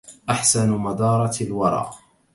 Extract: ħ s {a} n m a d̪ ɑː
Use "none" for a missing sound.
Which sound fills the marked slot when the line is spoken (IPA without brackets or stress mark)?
a